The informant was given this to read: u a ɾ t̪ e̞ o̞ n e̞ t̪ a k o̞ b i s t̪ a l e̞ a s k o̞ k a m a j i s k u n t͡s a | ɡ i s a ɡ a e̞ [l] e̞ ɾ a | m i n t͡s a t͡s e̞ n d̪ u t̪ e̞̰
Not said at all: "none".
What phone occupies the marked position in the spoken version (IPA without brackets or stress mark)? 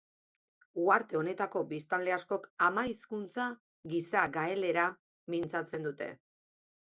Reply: l